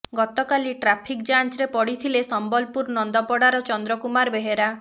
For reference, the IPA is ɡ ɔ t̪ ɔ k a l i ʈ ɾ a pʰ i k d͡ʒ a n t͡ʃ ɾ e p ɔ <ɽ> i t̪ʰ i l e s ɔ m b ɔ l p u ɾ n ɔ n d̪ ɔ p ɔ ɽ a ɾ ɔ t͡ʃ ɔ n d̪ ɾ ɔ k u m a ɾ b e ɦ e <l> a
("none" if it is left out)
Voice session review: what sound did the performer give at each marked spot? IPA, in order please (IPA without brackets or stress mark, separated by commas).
ɽ, ɾ